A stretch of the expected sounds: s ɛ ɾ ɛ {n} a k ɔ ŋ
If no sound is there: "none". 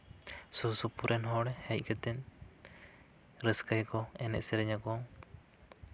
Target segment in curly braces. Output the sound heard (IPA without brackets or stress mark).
ɲ